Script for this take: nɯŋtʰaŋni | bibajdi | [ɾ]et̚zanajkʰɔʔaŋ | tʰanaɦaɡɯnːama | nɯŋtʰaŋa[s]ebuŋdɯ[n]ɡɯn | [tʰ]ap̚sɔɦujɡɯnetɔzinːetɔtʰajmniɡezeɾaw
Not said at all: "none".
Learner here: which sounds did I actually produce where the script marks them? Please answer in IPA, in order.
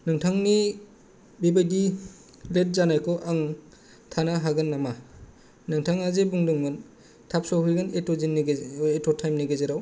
l, z, ŋ, tʰ

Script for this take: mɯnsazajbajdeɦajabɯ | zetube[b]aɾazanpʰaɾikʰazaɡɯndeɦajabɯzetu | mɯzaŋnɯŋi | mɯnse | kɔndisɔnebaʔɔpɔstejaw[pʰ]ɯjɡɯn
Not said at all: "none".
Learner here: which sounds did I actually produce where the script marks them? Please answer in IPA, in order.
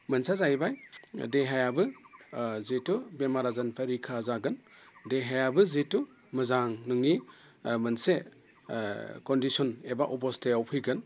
m, pʰ

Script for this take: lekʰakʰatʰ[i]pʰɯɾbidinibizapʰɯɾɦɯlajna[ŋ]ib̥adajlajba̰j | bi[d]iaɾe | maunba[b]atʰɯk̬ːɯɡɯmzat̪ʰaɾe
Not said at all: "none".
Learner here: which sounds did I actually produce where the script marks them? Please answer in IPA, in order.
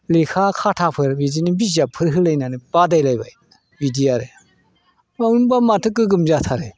a, n, d, m

